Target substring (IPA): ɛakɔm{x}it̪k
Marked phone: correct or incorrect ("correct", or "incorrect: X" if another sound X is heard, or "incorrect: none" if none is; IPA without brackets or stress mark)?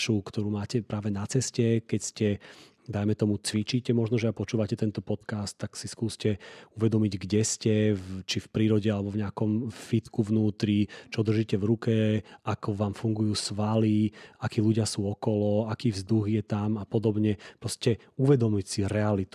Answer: incorrect: f